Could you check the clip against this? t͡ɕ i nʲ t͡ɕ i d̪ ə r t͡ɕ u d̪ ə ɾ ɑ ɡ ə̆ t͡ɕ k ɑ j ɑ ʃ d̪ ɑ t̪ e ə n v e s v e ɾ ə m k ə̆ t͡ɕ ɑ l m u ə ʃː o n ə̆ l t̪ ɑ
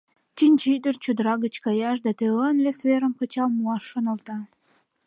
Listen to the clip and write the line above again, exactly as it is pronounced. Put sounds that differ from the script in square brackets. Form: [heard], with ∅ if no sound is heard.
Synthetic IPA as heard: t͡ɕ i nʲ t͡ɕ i d̪ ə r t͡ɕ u d̪ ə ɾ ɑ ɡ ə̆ t͡ɕ k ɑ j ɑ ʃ d̪ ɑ t̪ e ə n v e s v e ɾ ə m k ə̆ t͡ɕ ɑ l m u [ɑ] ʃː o n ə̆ l t̪ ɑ